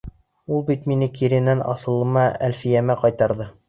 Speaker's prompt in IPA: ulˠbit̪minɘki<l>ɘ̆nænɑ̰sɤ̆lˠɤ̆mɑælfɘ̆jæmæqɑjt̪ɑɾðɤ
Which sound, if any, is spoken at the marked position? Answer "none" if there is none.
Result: ɾ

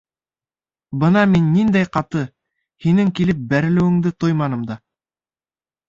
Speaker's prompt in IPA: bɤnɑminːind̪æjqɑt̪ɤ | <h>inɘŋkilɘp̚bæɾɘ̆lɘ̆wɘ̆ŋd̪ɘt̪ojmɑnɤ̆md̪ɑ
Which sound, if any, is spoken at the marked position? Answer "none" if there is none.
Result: h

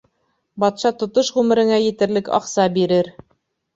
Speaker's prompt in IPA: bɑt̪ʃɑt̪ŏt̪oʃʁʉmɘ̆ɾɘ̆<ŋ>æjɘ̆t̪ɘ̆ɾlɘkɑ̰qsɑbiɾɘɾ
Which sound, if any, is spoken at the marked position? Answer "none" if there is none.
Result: ŋ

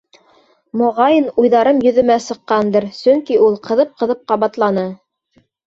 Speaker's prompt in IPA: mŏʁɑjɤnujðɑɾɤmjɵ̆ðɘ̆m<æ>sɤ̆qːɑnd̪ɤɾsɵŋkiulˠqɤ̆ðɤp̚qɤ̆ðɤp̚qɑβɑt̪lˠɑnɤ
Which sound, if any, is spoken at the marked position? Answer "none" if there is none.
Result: æ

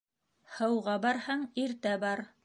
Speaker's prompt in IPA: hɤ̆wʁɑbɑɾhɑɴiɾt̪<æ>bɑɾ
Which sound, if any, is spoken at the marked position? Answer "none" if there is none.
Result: æ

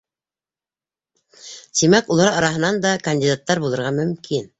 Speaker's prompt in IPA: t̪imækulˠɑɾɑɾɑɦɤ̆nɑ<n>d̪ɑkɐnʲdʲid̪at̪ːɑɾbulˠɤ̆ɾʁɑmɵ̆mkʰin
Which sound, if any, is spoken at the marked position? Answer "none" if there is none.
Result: n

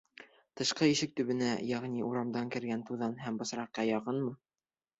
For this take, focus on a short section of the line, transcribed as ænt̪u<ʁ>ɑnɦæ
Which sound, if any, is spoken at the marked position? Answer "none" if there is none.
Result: ð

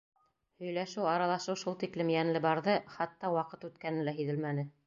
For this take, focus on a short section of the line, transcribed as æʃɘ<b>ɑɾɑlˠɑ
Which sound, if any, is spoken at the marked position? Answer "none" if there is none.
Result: w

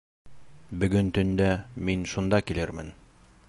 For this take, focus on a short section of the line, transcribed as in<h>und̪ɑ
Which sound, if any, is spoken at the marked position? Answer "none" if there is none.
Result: ʃ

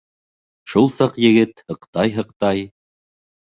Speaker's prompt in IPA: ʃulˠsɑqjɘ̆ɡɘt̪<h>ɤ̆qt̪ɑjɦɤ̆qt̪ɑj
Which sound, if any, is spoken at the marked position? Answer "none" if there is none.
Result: h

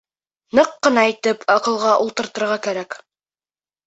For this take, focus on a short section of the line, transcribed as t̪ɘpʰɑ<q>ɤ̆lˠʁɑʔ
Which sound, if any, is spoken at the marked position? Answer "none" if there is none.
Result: q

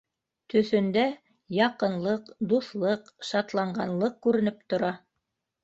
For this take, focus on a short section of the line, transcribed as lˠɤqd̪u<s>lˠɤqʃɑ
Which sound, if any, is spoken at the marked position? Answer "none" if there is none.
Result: θ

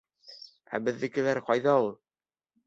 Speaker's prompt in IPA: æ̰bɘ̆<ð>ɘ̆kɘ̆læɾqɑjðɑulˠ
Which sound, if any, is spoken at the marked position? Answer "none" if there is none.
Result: ðː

